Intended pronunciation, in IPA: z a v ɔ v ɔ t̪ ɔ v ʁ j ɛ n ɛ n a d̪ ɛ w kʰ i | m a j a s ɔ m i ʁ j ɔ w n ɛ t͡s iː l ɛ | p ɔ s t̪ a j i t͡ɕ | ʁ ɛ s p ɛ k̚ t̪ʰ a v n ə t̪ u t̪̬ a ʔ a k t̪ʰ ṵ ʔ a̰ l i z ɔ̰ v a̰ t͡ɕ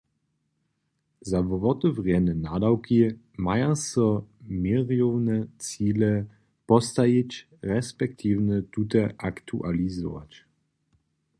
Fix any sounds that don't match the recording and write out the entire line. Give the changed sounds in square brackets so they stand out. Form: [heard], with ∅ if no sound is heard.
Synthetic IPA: z a v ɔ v ɔ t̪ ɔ v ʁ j ɛ n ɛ n a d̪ [a] w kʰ i | m a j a s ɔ m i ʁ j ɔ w n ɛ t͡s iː l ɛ | p ɔ s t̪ a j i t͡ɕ | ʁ ɛ s p ɛ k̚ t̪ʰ [i] v n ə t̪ u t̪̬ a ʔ a k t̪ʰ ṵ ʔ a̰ l i z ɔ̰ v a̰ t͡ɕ